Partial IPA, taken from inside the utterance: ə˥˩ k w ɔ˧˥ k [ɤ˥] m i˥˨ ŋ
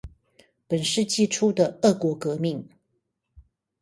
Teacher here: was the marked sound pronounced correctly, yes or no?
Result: no